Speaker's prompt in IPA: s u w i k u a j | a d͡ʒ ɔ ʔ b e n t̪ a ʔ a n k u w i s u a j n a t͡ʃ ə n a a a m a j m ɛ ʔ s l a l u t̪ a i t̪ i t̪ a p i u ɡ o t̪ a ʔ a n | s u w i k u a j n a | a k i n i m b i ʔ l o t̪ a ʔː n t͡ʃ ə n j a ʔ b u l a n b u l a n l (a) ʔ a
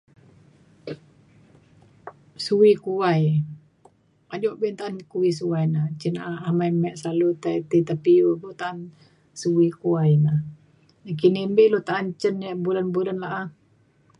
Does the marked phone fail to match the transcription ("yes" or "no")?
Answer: no